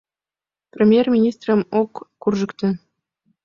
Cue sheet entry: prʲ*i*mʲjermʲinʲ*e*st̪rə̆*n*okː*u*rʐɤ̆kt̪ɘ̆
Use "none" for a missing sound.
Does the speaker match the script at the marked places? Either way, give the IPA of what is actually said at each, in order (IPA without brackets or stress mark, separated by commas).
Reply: e, i, m, u